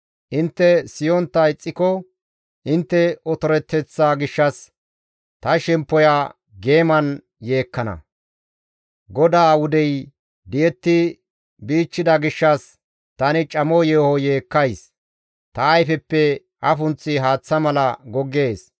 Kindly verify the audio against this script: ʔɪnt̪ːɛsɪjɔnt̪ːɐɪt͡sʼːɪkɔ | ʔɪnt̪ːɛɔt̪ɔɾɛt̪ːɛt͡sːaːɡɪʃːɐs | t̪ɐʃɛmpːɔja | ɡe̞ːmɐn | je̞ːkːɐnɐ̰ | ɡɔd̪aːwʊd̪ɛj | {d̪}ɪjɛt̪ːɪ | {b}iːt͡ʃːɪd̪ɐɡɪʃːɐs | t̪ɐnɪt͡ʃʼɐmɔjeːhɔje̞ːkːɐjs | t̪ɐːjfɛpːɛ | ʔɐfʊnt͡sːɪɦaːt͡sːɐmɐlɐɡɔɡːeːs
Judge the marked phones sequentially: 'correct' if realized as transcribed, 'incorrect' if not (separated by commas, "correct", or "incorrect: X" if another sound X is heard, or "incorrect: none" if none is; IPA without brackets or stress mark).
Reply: correct, correct